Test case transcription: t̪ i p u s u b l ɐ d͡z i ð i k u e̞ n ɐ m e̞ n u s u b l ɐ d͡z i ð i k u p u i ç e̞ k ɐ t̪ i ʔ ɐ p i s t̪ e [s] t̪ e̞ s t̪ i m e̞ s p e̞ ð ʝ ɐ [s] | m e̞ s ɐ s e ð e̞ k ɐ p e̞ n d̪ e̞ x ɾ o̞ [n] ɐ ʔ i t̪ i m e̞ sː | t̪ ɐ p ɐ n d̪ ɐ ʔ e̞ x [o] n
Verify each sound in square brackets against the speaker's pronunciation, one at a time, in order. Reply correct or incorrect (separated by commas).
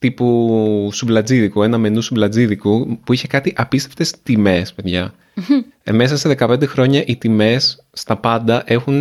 incorrect, incorrect, incorrect, incorrect